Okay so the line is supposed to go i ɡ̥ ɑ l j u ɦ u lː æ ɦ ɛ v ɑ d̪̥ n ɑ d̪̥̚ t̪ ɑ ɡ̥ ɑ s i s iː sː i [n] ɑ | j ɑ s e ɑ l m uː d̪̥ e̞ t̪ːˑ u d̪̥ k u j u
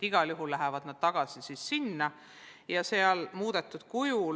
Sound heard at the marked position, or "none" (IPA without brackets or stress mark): nː